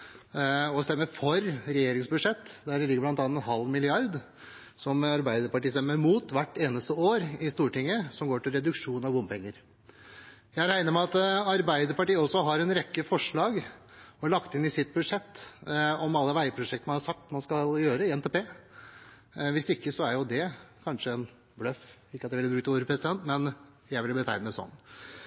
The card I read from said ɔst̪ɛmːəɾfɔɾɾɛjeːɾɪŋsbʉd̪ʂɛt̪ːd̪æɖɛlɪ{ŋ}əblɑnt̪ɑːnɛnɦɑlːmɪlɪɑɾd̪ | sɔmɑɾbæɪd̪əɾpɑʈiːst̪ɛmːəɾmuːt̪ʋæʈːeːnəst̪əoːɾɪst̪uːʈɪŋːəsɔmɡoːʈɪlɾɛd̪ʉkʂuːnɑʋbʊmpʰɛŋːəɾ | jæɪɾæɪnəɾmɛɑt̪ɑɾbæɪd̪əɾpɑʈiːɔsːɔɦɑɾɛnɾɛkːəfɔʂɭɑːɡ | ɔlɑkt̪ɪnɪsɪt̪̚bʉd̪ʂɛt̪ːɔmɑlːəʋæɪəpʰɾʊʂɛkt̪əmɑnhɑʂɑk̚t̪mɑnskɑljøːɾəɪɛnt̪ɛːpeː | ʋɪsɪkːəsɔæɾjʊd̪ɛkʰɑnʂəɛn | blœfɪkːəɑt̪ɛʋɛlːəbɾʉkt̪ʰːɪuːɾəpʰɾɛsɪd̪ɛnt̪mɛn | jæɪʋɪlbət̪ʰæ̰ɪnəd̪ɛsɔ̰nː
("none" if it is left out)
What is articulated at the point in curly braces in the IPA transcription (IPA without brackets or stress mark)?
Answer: ɡ